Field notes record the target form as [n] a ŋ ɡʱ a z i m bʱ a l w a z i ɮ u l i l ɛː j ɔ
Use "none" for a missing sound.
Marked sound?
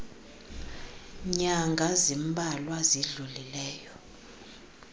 ɲ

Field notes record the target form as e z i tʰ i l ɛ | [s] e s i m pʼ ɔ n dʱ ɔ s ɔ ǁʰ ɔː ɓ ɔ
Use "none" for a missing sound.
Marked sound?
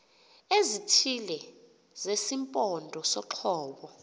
z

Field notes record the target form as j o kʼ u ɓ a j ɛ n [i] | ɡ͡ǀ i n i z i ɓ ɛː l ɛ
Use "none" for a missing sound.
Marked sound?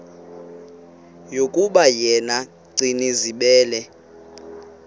a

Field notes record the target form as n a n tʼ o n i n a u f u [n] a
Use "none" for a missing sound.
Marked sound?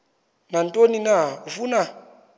n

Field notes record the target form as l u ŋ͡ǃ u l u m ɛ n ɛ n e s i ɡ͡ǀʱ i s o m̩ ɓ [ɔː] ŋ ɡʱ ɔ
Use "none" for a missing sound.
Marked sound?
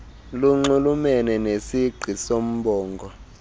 ɔː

